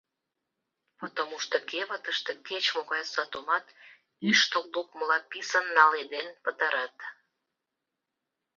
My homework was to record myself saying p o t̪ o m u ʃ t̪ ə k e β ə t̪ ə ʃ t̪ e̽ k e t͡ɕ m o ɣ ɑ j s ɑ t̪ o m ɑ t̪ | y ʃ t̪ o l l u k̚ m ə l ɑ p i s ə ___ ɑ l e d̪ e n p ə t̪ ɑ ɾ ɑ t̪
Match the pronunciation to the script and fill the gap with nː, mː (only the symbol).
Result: nː